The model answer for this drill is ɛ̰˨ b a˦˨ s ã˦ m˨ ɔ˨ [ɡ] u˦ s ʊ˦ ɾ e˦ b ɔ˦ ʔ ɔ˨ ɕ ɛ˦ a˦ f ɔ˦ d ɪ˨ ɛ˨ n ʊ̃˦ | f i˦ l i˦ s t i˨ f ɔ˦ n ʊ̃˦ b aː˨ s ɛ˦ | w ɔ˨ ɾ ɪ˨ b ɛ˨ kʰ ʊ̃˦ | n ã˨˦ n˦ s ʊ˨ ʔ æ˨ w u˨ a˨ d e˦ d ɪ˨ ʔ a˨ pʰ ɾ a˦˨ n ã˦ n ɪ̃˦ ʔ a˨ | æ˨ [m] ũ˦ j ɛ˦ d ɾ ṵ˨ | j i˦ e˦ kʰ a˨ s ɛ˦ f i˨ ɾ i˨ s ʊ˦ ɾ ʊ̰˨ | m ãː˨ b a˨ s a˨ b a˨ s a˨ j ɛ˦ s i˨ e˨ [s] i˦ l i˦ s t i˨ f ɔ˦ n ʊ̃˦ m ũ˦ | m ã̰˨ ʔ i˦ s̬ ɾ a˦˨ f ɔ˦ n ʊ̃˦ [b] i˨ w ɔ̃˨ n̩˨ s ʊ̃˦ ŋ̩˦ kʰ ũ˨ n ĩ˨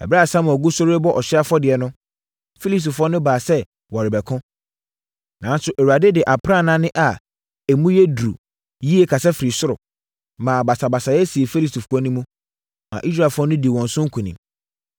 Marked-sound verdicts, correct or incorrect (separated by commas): correct, correct, incorrect, incorrect